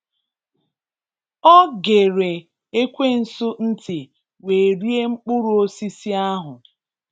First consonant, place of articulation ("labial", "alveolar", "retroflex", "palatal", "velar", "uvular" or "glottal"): velar